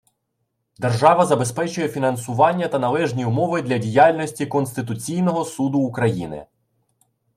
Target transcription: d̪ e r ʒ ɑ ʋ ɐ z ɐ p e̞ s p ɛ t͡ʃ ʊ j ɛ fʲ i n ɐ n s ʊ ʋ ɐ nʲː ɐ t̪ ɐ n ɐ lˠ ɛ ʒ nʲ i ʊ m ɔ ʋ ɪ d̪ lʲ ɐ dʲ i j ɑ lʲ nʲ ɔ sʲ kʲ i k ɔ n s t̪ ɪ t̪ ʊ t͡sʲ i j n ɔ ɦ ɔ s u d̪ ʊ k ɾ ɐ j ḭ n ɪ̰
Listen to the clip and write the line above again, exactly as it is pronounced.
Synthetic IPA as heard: d̪ e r ʒ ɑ ʋ ɐ z ɐ b e̞ s p ɛ t͡ʃ ʊ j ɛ fʲ i n ɐ n s ʊ ʋ ɑ nʲː ɐ t̪ ɐ n ɐ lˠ ɛ ʒ nʲ i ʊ m ɔ ʋ ɪ d̪ lʲ ɐ dʲ i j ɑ lʲ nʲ ɔ sʲ tʲ i k ɔ n s t̪ ɪ t̪ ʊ t͡sʲ i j n ɔ ɦ ɔ s u d̪ ʊː k ɾ ɐ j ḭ n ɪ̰